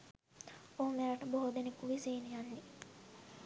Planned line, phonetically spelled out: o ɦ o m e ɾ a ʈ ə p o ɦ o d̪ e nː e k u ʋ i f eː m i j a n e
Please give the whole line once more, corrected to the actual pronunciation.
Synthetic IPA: o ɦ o m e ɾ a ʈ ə b o ɦ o d̪ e n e k u ʋ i s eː n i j a nː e